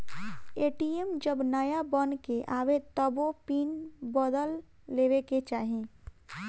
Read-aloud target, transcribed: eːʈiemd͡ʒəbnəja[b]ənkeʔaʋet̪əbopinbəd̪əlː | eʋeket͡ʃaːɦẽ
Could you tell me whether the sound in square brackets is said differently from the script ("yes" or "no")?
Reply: no